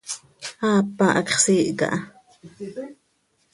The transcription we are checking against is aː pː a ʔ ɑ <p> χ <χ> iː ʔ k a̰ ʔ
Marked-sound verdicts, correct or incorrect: incorrect: k, incorrect: s

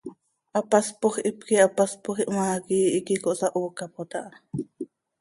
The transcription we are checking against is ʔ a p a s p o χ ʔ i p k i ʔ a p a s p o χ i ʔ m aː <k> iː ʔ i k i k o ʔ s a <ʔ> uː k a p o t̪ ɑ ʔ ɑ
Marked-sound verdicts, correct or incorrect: correct, correct

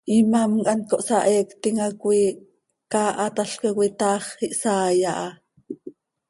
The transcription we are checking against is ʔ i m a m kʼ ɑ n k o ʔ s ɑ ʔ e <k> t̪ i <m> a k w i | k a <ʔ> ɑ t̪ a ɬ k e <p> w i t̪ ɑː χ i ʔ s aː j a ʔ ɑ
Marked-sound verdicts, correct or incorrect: correct, incorrect: ŋ, correct, incorrect: k

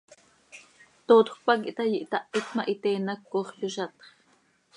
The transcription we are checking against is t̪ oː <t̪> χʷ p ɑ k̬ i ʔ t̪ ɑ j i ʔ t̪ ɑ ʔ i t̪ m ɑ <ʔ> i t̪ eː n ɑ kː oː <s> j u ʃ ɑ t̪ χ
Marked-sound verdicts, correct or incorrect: correct, correct, incorrect: χ

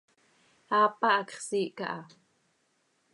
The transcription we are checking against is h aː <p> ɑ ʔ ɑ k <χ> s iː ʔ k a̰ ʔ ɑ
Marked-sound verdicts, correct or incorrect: correct, correct

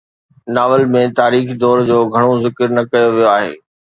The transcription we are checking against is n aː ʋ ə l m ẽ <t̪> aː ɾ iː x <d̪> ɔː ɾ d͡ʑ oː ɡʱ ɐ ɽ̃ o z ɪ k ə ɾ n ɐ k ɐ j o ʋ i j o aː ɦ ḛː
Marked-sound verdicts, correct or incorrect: correct, correct

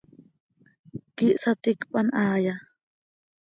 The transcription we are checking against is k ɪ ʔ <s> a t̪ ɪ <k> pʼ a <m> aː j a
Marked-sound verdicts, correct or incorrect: correct, correct, incorrect: n

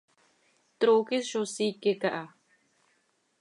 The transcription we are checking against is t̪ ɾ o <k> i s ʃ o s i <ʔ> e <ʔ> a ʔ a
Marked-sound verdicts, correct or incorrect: correct, incorrect: k, incorrect: k

